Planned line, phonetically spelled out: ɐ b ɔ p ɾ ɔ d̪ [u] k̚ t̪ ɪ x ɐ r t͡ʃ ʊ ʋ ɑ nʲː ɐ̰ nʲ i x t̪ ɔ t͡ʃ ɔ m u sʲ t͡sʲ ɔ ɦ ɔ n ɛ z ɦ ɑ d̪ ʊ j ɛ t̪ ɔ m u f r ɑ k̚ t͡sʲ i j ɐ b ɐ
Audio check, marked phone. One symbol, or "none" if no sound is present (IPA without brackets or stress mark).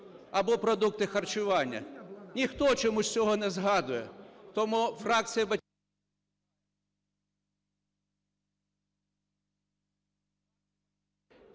u